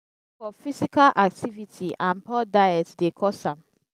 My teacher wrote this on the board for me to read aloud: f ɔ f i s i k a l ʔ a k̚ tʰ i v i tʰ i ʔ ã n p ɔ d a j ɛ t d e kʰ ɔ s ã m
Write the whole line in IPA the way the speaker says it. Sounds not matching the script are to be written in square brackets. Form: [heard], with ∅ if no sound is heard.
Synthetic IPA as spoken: f ɔ f i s i k a l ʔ a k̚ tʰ i v i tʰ i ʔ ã n p ɔ d a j ɛ t d e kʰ ɔ s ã m

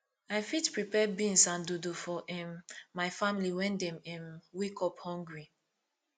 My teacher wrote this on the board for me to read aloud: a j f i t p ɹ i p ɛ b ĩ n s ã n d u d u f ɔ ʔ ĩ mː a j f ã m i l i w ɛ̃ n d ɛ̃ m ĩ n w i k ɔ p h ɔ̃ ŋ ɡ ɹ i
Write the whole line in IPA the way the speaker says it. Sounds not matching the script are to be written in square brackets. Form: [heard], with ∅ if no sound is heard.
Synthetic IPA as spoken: a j f i t p ɹ i p ɛ b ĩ n s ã n d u d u f ɔ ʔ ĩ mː a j f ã m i l i w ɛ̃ n d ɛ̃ m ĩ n w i k ɔ p h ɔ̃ ŋ ɡ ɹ i

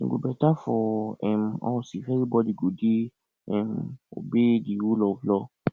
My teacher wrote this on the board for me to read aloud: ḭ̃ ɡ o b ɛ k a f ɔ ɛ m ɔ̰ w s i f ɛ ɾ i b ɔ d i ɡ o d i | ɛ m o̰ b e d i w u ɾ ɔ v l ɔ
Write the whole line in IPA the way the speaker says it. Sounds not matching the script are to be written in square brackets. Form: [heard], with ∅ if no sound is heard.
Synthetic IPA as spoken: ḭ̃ ɡ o b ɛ [t] a f ɔ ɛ m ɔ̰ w s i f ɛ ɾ i b ɔ d i ɡ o d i | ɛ m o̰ b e d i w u [l] ɔ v l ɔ

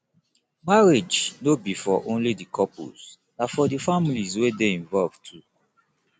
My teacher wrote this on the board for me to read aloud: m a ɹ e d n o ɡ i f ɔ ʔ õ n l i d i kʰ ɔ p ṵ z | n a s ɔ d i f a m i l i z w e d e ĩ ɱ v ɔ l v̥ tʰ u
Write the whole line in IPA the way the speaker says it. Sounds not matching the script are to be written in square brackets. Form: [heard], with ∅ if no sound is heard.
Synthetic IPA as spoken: m a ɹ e [d͡ʒ] n o [b] i f ɔ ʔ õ n l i d i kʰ ɔ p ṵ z | n a [f] ɔ d i f a m i l i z w e d e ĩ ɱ v ɔ l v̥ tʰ u

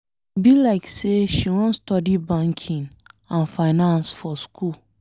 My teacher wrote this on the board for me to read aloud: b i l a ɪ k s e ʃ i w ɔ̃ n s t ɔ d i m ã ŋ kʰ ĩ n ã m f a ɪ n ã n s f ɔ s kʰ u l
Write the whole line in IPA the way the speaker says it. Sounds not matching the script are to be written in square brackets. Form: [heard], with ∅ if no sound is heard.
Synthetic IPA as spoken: b i l a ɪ k s e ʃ i w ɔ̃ n s t ɔ d i [b] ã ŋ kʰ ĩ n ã [n] f a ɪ n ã n s f ɔ s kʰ u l

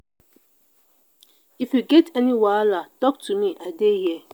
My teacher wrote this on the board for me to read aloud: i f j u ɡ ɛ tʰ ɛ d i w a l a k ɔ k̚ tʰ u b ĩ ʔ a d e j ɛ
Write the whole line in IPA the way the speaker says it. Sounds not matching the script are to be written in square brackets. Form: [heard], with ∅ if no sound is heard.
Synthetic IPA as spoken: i f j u ɡ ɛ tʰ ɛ [n] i w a l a [t] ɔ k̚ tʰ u [m] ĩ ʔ a d e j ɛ

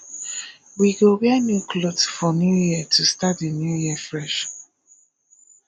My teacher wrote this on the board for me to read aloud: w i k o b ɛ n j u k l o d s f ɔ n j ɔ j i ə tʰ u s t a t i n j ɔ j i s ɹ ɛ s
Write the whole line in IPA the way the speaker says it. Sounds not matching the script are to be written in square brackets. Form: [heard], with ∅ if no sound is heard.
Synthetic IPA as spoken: w i [ɡ] o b ɛ n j u k l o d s f ɔ n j [u] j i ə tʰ u s t a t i n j [u] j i [f] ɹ ɛ [ʃ]

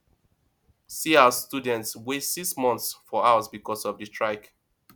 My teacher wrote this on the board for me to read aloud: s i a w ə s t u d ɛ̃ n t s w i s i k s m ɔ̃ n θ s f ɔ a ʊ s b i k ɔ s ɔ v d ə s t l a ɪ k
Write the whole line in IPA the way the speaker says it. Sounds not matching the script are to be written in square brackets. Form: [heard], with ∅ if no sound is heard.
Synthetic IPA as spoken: s i a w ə s t u d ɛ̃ n t s w [e] s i k s m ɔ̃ n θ s f ɔ a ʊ s b i k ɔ s ɔ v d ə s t [ɹ] a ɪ k

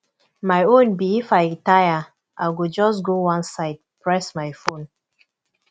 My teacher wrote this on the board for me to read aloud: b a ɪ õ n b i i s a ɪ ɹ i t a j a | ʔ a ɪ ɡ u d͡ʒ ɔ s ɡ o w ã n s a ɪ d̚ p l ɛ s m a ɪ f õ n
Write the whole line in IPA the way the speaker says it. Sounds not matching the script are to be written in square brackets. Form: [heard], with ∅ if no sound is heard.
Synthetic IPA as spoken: [m] a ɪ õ n b i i [f] a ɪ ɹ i t a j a | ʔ a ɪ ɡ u d͡ʒ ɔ s ɡ o w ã n s a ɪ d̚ p [ɹ] ɛ s m a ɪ f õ n

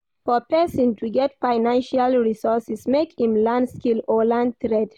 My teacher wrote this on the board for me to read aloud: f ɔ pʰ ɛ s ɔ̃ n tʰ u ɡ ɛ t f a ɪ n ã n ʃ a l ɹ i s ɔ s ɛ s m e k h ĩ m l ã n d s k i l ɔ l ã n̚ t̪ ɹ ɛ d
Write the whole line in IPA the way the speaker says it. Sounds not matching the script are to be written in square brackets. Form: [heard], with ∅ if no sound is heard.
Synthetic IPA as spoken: f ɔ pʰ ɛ s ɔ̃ n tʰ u ɡ ɛ t f a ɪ n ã n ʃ a l ɹ i s ɔ s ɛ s m e k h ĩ m l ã n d s k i l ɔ l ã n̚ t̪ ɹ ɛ d

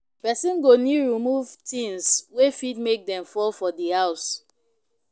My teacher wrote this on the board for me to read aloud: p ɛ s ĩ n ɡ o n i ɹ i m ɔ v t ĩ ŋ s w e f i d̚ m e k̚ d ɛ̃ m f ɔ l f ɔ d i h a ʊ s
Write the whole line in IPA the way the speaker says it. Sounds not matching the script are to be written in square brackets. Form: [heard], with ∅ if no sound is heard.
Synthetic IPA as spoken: p ɛ s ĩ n ɡ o n i ɹ i m [u] v t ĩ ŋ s w e f i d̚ m e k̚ d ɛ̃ m f ɔ l f ɔ d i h a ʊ s

